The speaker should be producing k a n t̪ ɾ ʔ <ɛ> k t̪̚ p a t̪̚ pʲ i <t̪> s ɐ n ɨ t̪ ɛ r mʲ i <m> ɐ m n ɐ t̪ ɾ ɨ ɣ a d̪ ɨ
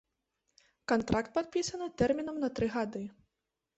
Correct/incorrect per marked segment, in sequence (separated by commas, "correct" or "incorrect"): incorrect, incorrect, incorrect